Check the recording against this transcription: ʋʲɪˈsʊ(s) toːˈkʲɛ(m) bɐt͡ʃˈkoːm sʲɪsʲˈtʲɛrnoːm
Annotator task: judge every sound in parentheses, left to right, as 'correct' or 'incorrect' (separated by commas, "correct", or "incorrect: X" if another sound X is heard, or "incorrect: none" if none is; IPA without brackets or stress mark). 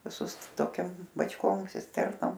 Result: correct, correct